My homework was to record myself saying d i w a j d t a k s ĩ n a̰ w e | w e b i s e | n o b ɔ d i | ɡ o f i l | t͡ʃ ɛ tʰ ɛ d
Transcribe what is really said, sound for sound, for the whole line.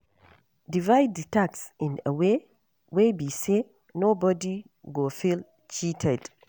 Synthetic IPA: d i v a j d t a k s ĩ n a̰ w e | w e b i s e | n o b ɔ d i | ɡ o f i l | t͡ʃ i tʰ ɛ d